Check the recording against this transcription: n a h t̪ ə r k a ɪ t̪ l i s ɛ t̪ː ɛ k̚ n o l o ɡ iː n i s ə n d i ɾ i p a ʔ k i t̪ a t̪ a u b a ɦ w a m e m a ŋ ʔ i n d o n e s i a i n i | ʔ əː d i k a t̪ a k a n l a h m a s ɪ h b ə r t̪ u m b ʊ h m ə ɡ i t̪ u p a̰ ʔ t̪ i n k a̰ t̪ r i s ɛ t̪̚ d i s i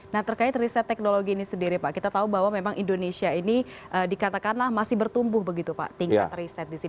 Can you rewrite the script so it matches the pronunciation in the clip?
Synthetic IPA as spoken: n a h t̪ ə r k a ɪ t̪ r i s ɛ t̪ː ɛ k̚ n o l o ɡ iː n i s ə n d i ɾ i p a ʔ k i t̪ a t̪ a u b a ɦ w a m e m a ŋ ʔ i n d o n e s i a i n i | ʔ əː d i k a t̪ a k a n l a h m a s ɪ h b ə r t̪ u m b ʊ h b ə ɡ i t̪ u p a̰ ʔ t̪ i ŋ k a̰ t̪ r i s ɛ t̪̚ d i s i